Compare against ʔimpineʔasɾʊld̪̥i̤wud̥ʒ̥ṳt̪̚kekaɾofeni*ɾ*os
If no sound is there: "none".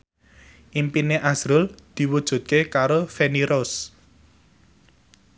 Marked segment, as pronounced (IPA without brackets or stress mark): ɾ